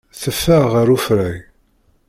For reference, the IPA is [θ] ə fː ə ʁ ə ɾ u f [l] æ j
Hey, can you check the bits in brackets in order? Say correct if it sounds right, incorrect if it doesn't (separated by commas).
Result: correct, incorrect